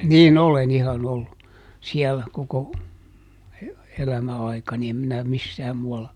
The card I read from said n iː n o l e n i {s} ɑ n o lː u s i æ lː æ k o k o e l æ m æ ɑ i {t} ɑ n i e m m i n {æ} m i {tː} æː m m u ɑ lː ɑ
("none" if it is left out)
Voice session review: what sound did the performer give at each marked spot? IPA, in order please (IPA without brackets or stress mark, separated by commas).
h, k, æ, sː